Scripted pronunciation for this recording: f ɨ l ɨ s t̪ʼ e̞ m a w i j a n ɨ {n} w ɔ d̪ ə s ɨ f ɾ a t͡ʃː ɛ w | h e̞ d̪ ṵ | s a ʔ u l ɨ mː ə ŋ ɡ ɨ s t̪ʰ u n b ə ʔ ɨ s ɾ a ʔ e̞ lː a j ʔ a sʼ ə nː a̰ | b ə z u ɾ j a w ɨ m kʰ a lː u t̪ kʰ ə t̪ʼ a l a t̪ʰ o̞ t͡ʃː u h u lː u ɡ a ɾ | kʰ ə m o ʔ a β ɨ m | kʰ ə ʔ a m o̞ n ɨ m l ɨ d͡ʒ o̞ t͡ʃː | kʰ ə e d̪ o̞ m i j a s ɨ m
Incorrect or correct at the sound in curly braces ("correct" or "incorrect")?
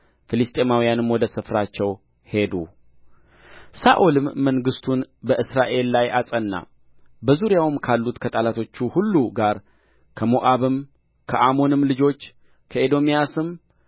incorrect